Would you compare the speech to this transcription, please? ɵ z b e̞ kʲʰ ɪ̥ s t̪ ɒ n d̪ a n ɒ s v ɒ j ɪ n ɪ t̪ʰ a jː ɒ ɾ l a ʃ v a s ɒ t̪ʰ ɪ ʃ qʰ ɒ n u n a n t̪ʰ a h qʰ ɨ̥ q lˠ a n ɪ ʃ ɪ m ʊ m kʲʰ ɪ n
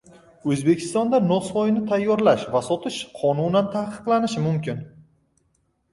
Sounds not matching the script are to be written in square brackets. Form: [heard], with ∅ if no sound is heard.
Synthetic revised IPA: ɵ z b e̞ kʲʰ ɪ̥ s t̪ ɒ n d̪ a n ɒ s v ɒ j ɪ n ɪ t̪ʰ a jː ɒ ɾ l a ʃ v a s ɒ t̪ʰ ɪ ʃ qʰ ɒ n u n a n t̪ʰ a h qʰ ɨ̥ q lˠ a n ɪ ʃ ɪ m ʊ m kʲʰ ɪ n